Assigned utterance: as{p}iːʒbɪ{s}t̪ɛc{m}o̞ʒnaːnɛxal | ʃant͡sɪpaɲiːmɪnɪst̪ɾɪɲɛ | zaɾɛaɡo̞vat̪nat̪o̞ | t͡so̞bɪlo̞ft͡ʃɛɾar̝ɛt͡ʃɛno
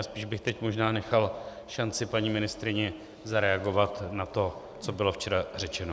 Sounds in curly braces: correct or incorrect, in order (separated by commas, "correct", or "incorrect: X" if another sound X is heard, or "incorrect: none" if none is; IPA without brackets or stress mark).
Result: correct, incorrect: x, correct